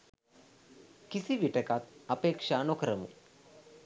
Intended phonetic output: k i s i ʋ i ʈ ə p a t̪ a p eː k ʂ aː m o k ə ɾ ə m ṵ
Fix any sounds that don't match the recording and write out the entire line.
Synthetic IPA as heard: k i s i ʋ i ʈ ə k a t̪ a p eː k ʂ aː n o k ə ɾ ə m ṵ